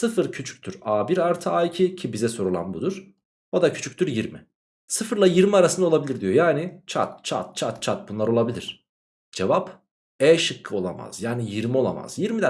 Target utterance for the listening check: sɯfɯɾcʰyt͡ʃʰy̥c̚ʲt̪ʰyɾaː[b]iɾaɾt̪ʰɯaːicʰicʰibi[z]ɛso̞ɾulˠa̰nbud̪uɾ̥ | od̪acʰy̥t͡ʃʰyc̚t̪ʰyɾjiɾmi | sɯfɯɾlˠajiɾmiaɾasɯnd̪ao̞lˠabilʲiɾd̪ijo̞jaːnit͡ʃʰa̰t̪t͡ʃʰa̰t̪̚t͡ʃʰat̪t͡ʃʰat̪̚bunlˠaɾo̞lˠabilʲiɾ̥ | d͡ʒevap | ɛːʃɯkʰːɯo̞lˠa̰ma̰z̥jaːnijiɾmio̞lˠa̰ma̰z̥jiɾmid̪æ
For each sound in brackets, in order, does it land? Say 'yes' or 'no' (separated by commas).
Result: yes, yes